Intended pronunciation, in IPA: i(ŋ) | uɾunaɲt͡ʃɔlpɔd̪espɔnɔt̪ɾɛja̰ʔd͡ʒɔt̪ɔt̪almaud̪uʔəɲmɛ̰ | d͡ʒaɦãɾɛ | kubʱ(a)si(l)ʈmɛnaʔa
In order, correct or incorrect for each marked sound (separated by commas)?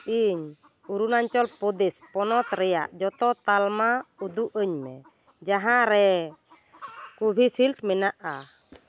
incorrect, incorrect, correct